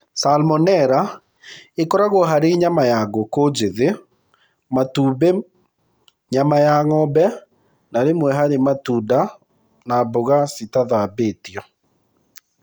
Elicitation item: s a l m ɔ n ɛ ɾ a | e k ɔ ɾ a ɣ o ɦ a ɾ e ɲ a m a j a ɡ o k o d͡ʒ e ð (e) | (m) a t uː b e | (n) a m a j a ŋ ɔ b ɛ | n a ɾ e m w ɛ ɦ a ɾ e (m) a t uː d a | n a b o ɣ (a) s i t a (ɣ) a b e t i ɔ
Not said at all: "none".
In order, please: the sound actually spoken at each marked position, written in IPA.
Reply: e, m, ɲ, m, a, ð

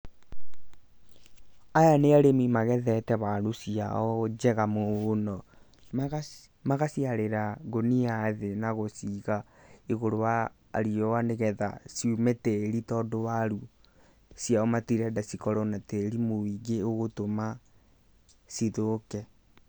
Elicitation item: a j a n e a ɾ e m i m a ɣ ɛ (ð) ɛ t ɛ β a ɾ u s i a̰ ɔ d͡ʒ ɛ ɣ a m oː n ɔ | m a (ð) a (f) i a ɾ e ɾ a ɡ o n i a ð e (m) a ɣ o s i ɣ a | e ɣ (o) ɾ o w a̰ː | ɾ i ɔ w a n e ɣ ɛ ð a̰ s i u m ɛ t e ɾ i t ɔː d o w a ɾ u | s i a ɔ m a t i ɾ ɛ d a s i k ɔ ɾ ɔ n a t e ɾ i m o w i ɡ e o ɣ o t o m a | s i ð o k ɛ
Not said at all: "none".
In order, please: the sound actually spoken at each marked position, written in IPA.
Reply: ð, ɣ, s, n, o

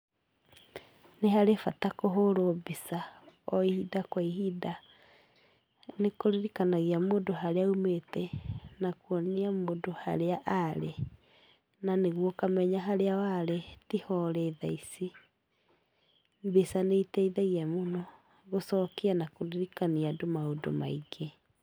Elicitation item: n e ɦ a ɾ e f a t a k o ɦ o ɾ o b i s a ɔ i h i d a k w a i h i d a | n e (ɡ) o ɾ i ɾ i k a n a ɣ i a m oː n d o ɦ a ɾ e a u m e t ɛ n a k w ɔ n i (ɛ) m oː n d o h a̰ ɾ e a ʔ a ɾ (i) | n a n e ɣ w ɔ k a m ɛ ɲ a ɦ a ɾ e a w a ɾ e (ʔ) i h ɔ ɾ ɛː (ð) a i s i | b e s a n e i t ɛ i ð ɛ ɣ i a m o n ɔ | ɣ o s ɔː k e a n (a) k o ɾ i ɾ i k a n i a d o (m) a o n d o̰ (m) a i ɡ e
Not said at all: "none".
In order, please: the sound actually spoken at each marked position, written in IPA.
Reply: k, a, e, t, ð, a, m, m

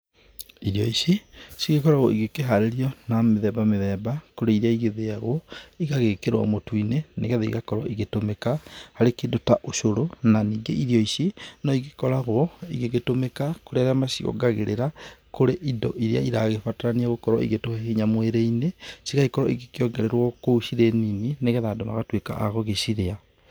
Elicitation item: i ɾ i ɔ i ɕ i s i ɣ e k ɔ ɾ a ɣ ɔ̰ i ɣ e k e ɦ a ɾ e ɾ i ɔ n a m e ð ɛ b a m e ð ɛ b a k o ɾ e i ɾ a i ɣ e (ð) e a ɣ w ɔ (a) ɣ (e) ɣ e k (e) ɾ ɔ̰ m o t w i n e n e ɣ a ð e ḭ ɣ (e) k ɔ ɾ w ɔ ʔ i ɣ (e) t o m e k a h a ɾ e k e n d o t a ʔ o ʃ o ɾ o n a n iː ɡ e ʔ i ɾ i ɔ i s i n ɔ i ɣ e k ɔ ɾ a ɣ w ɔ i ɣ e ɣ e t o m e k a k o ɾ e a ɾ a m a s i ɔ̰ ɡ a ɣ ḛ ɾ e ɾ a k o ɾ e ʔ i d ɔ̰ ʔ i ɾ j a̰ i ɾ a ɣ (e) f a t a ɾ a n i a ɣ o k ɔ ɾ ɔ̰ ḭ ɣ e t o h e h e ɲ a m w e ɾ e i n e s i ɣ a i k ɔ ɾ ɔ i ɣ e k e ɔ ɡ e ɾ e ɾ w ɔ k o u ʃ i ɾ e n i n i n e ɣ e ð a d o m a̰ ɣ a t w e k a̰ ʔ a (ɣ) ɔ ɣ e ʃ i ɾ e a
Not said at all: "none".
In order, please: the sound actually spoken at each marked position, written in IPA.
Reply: ð, i, a, e, a, e, e, ɣ

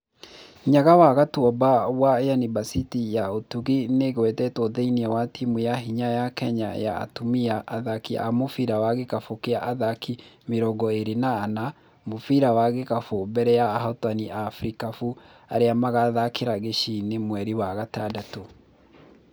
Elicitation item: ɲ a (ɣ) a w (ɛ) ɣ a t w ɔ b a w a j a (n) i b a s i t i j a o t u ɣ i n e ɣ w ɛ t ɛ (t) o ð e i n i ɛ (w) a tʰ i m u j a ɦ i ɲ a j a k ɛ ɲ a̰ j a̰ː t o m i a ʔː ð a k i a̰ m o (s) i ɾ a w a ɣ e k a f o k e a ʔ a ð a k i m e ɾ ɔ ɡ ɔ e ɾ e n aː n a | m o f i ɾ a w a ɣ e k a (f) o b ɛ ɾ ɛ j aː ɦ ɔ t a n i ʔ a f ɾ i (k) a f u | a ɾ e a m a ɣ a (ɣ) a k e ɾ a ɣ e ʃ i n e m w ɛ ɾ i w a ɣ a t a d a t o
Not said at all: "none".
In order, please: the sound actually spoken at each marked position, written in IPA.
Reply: ɣ, a, n, t, w, f, f, k, ð

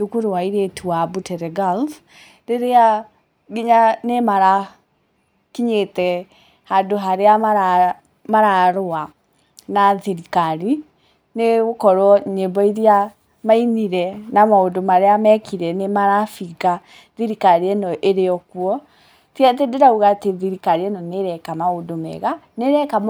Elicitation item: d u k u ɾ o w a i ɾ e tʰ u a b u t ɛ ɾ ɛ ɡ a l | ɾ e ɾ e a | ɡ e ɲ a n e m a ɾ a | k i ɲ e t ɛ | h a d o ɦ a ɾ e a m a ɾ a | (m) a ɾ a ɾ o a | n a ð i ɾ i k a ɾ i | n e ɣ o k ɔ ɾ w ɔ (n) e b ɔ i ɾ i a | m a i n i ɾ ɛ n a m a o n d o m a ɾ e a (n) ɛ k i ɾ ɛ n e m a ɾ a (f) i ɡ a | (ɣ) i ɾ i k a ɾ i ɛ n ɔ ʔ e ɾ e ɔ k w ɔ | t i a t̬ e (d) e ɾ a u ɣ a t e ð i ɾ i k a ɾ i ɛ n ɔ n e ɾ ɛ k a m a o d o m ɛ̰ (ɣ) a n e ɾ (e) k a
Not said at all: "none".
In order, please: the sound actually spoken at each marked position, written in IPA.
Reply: m, ɲ, m, f, ð, d, ɣ, ɛ

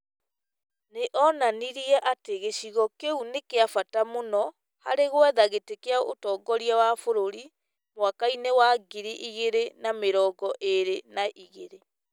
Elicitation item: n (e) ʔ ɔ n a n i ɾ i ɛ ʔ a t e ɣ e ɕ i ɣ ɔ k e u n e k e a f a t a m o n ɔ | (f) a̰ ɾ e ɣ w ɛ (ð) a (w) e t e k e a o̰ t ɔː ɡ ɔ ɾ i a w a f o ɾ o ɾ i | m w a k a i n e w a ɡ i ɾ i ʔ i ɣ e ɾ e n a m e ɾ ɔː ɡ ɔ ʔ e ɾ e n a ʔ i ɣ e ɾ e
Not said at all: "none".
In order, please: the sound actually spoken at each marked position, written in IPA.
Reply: e, h, ð, ɣ

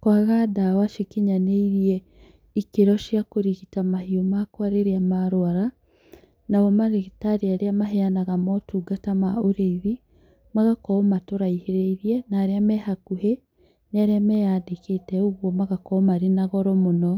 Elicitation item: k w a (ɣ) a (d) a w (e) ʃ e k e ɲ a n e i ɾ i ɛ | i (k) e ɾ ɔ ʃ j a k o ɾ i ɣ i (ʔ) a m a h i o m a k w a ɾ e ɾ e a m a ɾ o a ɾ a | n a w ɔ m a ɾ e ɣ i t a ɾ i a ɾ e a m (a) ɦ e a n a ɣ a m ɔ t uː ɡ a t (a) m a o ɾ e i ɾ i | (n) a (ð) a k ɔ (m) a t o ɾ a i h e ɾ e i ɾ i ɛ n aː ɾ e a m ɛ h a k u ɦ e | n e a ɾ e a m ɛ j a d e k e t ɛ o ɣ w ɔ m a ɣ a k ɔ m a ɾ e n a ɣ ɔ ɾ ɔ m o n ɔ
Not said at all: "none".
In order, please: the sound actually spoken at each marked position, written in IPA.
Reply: ɣ, d, a, k, t, a, a, m, ɣ, m

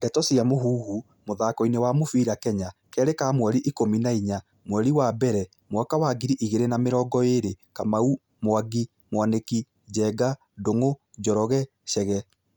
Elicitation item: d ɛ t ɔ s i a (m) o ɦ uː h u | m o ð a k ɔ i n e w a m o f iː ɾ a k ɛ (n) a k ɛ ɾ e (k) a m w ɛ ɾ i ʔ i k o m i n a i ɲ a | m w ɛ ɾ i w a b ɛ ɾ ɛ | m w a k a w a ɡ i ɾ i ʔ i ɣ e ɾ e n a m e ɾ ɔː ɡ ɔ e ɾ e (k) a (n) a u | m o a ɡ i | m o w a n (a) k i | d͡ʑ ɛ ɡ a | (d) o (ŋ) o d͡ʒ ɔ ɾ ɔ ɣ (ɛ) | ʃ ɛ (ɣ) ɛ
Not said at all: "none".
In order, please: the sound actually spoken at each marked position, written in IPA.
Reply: m, ɲ, k, k, m, e, d, ŋ, ɛ, ɣ

